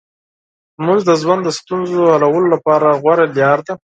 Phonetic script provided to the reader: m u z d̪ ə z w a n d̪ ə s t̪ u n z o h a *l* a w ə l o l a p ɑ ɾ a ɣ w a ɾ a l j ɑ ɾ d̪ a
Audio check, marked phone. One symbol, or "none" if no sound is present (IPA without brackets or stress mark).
l